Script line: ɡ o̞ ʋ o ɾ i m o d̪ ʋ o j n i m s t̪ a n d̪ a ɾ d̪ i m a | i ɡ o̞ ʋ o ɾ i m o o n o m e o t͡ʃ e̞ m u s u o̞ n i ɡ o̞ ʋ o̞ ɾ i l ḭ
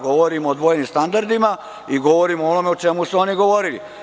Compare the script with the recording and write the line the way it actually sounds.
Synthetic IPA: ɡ o̞ ʋ o ɾ i m o d̪ ʋ o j n i m s t̪ a n d̪ a ɾ d̪ i m a | i ɡ o̞ ʋ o ɾ i m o o n o m e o t͡ʃ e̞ m u s u o̞ n i ɡ o̞ ʋ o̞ ɾ i l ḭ